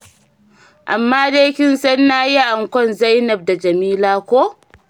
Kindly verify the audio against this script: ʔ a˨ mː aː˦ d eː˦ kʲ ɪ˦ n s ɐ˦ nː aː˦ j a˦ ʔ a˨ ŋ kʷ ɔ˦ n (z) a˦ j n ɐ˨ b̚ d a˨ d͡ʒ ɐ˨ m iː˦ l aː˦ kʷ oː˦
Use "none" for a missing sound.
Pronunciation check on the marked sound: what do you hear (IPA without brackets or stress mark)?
z